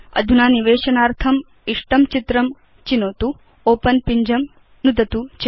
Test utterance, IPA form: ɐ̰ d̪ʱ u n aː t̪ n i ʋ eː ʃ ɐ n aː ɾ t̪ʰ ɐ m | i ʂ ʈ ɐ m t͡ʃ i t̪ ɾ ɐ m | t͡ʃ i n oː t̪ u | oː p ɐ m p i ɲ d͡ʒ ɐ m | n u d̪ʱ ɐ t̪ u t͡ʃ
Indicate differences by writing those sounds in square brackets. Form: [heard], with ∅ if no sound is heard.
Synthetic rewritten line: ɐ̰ d̪ʱ u n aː [∅] n i ʋ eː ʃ ɐ n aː ɾ t̪ʰ ɐ m | i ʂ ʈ ɐ m t͡ʃ i t̪ ɾ ɐ m | t͡ʃ i n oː t̪ u | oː p ɐ [n] p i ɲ d͡ʒ ɐ m | n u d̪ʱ ɐ t̪ u t͡ʃ